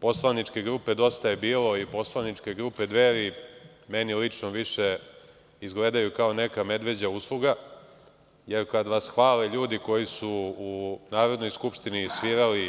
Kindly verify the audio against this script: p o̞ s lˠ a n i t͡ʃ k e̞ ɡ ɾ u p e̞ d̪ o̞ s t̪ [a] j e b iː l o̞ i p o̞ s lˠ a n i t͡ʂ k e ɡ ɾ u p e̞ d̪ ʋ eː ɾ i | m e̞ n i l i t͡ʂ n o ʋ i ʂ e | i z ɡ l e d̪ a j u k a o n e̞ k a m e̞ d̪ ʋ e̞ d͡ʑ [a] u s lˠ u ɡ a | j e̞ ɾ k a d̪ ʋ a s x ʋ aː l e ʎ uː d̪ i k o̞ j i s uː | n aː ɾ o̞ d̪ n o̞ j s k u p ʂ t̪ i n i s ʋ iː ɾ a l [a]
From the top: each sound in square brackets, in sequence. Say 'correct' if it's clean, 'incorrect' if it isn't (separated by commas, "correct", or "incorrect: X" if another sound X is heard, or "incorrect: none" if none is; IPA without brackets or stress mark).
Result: correct, correct, incorrect: i